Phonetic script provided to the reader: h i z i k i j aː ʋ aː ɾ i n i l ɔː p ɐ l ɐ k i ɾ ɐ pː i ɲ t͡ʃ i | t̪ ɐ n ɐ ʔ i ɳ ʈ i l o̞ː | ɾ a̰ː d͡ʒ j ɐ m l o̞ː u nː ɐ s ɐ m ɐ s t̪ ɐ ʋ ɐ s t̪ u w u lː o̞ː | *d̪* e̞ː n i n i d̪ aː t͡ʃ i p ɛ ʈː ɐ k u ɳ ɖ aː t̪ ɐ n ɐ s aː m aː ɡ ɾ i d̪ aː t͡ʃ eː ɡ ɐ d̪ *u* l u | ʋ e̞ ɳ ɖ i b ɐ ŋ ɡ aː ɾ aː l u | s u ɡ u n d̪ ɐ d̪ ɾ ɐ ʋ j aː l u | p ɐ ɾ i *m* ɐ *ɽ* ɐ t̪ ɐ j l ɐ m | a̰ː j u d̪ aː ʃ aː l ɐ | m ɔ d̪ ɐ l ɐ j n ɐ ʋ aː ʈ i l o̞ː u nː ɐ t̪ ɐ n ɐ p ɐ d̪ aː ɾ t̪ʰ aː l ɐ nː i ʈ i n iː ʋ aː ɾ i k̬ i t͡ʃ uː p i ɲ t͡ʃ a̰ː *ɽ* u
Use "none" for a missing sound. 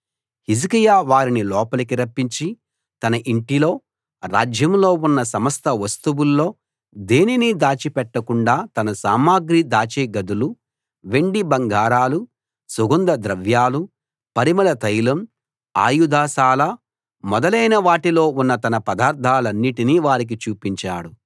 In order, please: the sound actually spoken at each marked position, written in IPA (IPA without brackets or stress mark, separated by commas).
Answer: d̪, u, m, l, ɽ